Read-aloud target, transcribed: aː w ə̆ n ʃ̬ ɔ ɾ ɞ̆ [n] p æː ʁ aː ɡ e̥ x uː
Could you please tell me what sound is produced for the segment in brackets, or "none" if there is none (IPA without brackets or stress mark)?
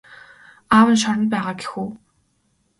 n